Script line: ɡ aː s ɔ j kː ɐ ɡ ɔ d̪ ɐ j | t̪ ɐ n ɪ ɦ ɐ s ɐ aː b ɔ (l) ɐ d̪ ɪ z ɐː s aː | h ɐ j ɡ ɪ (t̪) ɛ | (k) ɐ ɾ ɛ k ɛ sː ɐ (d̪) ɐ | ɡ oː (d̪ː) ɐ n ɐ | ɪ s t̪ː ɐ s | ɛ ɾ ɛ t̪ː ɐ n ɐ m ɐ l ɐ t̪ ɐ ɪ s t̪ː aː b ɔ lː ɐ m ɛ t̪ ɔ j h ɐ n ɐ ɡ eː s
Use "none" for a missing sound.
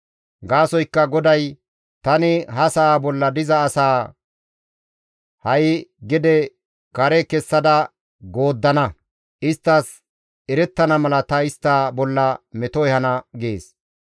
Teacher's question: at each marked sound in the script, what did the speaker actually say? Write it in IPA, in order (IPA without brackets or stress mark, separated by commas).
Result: lː, d̪, k, d̪, d̪ː